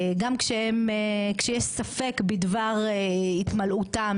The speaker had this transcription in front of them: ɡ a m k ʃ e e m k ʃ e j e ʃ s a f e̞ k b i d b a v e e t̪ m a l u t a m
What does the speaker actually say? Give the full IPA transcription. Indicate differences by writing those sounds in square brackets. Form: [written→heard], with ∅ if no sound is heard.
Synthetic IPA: ɡ a m k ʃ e e m k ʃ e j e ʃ s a f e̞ k b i d [b→v] a [v→ʁ] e [e→i] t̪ m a l u t a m